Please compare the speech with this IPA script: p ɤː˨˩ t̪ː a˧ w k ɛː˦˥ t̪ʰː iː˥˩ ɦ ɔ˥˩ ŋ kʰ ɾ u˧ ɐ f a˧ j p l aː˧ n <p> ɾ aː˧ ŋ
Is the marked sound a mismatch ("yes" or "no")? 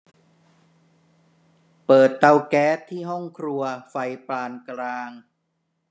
yes